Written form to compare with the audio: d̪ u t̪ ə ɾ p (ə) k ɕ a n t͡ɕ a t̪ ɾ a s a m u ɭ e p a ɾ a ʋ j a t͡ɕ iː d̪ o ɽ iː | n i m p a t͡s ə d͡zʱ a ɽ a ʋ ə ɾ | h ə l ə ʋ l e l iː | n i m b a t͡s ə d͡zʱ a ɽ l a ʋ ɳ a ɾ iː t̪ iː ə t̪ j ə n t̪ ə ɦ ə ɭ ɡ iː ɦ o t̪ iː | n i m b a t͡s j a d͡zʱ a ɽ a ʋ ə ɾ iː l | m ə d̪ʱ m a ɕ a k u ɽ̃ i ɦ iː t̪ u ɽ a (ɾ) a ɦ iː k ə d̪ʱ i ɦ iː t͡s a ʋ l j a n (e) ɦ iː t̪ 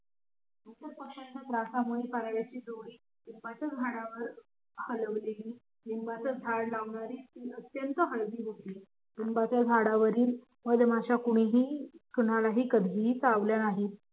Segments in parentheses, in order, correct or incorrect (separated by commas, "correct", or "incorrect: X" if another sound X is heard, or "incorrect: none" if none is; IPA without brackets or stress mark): correct, incorrect: l, incorrect: a